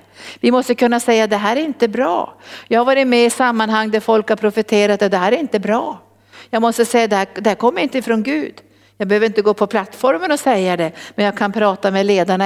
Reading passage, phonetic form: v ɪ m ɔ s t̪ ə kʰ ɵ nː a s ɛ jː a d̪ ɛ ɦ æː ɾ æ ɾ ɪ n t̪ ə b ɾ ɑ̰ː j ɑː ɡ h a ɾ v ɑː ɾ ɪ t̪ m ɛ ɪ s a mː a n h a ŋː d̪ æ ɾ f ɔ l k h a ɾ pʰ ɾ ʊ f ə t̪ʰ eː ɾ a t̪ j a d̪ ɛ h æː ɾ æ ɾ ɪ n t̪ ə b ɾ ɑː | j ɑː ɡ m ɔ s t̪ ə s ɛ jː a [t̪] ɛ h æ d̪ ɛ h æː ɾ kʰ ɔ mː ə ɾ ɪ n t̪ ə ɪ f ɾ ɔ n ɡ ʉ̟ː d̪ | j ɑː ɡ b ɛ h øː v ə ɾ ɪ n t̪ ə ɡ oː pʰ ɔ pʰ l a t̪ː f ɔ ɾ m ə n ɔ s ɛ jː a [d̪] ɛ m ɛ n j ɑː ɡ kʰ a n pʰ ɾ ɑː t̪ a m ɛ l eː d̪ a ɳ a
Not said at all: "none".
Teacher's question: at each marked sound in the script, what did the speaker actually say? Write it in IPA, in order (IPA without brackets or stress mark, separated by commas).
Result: d̪, d̪